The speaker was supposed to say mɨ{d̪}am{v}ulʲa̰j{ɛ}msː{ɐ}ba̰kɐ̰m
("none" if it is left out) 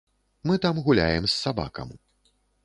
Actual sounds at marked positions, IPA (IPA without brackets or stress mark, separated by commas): t̪, ɣ, ɛ, a